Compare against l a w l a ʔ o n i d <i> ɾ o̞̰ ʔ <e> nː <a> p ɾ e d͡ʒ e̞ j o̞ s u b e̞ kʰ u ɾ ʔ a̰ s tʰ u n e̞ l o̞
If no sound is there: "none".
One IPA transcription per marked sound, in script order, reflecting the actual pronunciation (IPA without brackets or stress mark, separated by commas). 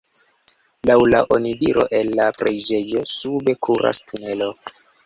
i, e, a